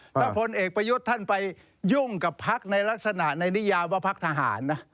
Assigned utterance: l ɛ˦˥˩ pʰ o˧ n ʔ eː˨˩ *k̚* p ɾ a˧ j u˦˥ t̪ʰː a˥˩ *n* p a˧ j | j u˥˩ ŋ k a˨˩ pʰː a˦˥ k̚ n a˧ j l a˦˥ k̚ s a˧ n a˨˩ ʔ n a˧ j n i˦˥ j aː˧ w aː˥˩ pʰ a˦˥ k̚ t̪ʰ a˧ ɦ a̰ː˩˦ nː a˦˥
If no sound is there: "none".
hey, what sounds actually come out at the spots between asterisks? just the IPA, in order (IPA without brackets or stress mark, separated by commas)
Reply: k̚, n